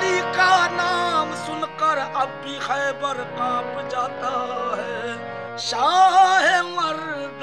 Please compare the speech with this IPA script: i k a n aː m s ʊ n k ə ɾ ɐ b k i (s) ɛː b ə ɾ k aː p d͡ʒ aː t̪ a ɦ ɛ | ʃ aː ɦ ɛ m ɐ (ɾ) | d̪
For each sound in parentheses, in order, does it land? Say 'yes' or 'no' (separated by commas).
no, yes